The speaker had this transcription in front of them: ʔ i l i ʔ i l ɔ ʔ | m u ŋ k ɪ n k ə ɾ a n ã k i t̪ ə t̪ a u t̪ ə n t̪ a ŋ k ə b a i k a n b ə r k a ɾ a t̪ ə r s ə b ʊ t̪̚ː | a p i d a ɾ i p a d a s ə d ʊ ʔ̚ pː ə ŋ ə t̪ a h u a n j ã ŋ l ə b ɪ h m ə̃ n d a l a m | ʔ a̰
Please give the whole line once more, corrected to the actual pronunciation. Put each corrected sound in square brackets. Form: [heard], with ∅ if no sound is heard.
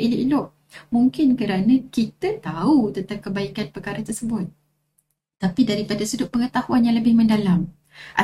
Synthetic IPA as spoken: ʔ i l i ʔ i l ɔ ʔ | m u ŋ k ɪ n k ə ɾ a n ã k i t̪ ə t̪ a u t̪ ə n t̪ a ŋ k ə b a i k a n [p] ə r k a ɾ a t̪ ə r s ə b ʊ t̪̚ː | a p i d a ɾ i p a d a s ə d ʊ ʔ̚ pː ə ŋ ə t̪ a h u a n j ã ŋ l ə b ɪ h m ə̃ n d a l a m | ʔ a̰